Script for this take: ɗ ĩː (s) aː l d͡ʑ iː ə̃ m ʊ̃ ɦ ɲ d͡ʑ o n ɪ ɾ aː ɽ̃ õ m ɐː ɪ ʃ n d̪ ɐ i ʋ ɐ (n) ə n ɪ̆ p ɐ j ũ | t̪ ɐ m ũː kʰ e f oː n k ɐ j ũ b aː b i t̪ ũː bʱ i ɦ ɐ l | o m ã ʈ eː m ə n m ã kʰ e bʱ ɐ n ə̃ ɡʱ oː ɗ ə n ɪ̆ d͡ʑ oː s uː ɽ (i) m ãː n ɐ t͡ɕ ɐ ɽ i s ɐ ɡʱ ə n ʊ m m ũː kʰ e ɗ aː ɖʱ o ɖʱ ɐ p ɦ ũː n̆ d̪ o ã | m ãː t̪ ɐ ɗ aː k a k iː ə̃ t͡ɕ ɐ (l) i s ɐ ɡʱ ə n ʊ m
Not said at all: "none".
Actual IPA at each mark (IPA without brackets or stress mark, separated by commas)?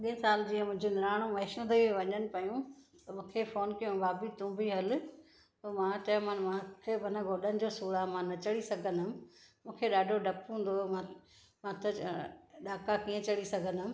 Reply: s, ɲ, a, ɽ